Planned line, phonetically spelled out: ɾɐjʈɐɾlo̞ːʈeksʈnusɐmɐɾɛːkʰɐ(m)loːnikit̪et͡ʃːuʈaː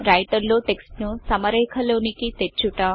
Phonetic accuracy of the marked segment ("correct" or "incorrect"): incorrect